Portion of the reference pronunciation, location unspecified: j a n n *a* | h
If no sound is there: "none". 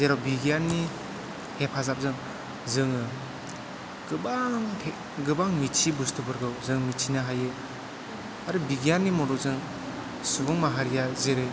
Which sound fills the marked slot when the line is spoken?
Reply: i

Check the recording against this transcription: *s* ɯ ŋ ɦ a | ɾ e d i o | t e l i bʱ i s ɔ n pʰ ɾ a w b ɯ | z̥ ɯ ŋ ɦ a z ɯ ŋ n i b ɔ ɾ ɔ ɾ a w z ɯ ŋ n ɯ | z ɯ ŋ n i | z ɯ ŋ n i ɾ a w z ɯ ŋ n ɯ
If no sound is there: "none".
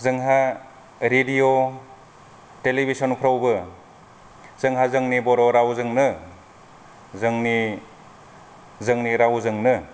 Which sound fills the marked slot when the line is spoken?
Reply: z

